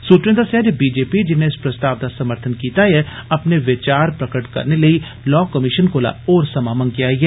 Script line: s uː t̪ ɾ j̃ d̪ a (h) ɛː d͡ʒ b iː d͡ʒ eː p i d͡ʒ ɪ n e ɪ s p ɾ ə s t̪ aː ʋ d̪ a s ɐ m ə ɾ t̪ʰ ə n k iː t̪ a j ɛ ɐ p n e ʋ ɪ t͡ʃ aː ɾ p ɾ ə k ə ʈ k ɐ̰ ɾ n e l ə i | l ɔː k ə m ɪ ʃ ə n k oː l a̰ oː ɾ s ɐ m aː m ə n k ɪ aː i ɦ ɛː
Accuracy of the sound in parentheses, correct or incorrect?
incorrect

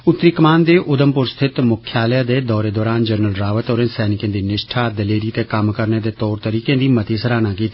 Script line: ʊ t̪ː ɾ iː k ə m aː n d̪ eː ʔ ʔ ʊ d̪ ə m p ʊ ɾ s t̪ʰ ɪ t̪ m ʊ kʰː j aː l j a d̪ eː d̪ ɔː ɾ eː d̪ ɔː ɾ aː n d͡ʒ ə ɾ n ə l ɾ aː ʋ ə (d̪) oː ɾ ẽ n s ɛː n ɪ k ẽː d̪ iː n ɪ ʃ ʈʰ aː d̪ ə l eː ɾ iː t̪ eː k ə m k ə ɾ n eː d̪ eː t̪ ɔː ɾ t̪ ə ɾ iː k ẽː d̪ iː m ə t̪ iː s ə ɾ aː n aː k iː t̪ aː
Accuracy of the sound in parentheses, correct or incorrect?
incorrect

